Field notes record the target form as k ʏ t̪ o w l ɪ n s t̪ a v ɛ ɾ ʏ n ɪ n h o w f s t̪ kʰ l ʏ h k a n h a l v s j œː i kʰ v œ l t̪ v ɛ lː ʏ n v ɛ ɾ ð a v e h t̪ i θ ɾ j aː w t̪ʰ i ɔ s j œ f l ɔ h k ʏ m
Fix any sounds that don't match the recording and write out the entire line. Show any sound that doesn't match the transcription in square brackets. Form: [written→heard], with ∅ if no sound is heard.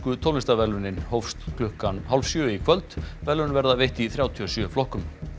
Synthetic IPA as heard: k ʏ [t̪→t̪ʰ] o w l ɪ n s t̪ a v ɛ [ɾ→l] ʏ n ɪ n h o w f s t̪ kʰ l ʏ h k a n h a l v s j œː i kʰ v œ l t̪ v ɛ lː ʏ n v ɛ ɾ ð a v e h t̪ i θ ɾ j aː w t̪ʰ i ɔ s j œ f l ɔ h k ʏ m